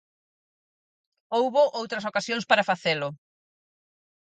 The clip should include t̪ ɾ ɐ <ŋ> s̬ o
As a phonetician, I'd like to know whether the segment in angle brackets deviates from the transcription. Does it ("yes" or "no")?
yes